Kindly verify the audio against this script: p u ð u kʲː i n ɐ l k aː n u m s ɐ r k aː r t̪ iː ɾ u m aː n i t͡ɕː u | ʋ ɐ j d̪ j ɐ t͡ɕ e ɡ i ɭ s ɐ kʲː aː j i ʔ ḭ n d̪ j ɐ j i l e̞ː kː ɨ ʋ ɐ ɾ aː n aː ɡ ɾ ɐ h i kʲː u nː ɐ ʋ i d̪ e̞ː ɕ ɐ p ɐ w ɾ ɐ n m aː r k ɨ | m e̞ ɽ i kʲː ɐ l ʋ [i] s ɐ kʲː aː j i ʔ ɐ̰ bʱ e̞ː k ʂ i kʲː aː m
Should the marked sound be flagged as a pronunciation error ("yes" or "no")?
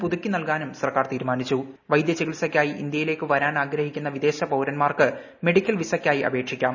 no